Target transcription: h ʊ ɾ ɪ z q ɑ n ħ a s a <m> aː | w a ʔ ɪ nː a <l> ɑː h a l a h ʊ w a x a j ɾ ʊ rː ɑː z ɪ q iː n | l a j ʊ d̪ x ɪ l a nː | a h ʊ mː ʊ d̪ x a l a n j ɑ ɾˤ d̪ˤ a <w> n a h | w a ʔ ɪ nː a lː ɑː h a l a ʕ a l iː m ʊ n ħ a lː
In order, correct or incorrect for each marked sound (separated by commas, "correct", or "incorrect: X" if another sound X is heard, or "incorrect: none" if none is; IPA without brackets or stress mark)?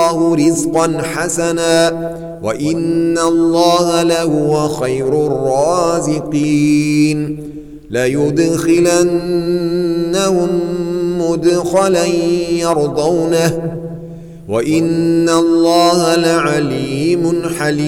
incorrect: n, incorrect: lː, correct